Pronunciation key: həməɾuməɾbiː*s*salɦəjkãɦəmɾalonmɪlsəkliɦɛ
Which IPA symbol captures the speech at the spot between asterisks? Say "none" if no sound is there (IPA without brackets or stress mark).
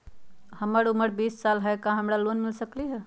s